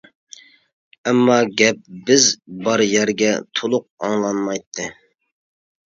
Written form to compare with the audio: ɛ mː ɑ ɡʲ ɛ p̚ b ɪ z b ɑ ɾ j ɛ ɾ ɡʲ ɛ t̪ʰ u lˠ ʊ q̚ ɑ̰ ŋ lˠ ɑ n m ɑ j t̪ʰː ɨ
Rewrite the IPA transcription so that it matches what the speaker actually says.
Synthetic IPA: ɛ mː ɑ ɡʲ ɛ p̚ b ɪ z b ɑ ɾ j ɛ ɾ ɡʲ ɛ t̪ʰ o lˠ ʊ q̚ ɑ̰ ŋ lˠ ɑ n m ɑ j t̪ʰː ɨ

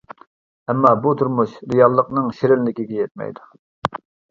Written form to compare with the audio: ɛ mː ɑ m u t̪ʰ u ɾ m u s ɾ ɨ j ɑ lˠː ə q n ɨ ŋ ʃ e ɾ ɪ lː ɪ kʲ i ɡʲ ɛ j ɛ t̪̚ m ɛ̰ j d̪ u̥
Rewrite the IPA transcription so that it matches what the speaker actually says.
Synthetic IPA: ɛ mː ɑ b u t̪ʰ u ɾ m u ʃ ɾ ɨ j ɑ lˠː ə q n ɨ ŋ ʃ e ɾ ɪ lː ɪ kʲ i ɡʲ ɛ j ɛ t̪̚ m ɛ̰ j d̪ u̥

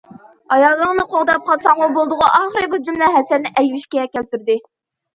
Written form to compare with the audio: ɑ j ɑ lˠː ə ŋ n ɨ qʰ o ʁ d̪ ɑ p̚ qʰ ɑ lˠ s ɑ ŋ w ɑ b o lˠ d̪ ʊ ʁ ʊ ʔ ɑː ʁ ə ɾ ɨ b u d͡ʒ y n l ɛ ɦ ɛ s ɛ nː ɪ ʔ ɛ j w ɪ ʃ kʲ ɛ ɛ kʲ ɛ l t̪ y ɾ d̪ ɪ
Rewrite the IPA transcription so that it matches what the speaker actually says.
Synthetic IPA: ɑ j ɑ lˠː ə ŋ n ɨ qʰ o ʁ d̪ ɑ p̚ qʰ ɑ lˠ s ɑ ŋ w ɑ b o lˠ d̪ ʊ ʁ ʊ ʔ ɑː χ ə ɾ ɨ b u d͡ʒ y m l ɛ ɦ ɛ s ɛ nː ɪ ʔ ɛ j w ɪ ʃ kʲ ɛ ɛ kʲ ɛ l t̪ y ɾ d̪ ɪ

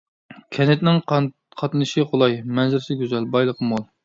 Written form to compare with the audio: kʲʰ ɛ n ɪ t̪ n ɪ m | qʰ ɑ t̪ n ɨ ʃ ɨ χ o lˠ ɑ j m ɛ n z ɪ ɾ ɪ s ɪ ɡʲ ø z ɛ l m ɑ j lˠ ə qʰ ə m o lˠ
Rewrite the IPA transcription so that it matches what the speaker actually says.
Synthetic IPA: kʲʰ ɛ n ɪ t̪ n ɪ ŋ | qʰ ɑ t̪ n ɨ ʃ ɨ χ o lˠ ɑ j m ɛ n z ɪ ɾ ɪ s ɪ ɡʲ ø z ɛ l b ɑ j lˠ ə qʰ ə m o lˠ

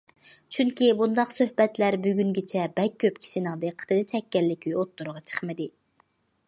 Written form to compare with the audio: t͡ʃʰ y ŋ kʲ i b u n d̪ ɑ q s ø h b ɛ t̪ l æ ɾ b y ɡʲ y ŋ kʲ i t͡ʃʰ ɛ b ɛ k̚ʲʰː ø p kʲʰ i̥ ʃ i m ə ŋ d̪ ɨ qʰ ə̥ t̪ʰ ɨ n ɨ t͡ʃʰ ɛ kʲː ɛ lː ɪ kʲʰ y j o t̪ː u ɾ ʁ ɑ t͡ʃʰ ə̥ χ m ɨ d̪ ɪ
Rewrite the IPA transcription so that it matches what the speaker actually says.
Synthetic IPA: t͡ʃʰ y ŋ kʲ i b u n d̪ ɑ q s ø h b ɛ t̪ l æ ɾ b y ɡʲ y ŋ ɡʲ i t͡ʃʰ ɛ b ɛ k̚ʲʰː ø p kʲʰ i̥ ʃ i n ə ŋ d̪ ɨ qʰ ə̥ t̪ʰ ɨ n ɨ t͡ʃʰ ɛ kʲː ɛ lː ɪ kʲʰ y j o t̪ː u ɾ ʁ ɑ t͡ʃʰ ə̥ χ m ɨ d̪ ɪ

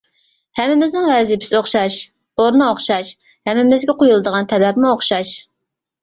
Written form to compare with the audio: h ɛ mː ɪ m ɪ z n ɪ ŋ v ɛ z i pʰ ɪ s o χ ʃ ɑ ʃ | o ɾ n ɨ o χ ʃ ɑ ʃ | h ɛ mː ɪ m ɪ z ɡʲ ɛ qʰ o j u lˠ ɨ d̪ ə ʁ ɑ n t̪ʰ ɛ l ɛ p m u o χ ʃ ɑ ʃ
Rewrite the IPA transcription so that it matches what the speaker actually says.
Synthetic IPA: h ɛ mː ɪ m ɪ z n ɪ ŋ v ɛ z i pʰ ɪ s o χ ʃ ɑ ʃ | o ɾ n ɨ o χ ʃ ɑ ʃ | h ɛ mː ɪ m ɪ z ɡʲ ɛ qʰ o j u lˠ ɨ d̪ ə ʁ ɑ n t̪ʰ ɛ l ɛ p m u o χ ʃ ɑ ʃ

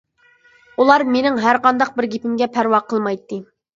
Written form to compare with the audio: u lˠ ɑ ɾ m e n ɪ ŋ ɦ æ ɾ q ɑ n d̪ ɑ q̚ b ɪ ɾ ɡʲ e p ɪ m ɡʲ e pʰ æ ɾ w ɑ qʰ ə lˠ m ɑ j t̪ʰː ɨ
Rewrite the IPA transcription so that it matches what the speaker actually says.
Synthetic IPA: u lˠ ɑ ɾ m e n ɪ ŋ ɦ æ ɾ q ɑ n d̪ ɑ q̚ b ɪ ɾ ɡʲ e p ɪ m ɡʲ ɛ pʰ æ ɾ w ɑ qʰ ə lˠ m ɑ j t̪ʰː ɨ

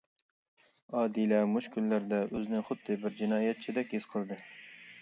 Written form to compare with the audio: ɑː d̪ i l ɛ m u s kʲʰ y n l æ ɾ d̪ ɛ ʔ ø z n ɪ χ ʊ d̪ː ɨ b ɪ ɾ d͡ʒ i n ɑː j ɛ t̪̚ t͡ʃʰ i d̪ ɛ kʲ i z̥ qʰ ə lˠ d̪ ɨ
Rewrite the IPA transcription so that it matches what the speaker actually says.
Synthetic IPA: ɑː d̪ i l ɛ m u ʃ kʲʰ y n l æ ɾ d̪ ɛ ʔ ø z n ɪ χ ʊ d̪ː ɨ b ɪ ɾ d͡ʒ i n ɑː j ɛ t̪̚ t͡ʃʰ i d̪ ɛ kʲ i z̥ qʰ ə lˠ d̪ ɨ

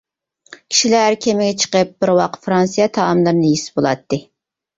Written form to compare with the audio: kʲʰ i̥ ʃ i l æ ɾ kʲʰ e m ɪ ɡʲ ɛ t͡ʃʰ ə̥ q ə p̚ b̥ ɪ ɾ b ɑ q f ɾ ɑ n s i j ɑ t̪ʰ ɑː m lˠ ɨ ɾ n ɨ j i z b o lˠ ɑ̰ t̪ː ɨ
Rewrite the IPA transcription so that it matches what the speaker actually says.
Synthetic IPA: kʲʰ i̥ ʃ i l æ ɾ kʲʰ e m ɪ ɡʲ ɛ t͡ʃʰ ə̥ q ə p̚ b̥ ɪ ɾ w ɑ q f ɾ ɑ n s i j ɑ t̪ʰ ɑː m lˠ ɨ ɾ n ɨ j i s b o lˠ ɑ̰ t̪ː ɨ

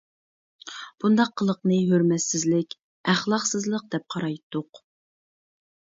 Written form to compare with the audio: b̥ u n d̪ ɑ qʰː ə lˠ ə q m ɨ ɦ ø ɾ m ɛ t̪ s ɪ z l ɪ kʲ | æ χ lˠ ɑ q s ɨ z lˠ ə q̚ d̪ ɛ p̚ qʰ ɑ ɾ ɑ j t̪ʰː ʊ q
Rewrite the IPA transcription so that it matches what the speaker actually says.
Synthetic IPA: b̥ u n d̪ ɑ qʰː ə lˠ ə q n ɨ ɦ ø ɾ m ɛ t̪ s ɪ z l ɪ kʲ | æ χ lˠ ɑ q s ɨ z lˠ ə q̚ d̪ ɛ p̚ qʰ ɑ ɾ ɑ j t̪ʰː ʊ q

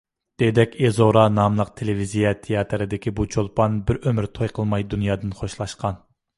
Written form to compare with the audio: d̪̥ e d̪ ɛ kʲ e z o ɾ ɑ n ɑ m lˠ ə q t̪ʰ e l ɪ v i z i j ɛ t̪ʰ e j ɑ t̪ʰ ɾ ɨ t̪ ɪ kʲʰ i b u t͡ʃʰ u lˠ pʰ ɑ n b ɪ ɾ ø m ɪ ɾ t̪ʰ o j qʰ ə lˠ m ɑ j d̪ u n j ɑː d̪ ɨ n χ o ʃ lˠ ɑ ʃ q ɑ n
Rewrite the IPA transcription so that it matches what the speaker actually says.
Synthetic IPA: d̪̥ e d̪ ɛ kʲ e z o ɾ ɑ n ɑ m lˠ ə q t̪ʰ e l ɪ v i z i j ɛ t̪ʰ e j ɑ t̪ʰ ɾ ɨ d̪ ɪ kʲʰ i b u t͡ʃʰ o lˠ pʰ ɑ n b ɪ ɾ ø m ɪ ɾ t̪ʰ o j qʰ ə lˠ m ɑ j d̪ u n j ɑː d̪ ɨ n χ o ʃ lˠ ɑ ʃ q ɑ n

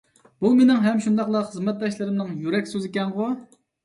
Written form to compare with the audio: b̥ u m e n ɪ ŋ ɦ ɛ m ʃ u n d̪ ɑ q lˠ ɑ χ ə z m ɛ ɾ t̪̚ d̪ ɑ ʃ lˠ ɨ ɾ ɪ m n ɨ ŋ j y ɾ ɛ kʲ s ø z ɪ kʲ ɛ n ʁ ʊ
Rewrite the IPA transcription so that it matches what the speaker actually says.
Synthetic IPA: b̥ u m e n ɪ ŋ ɦ ɛ m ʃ u n d̪ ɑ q lˠ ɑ χ ə z m ɛ t̪̚ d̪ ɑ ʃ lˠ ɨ ɾ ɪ m n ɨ ŋ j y ɾ ɛ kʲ s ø z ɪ kʲ ɛ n ʁ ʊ

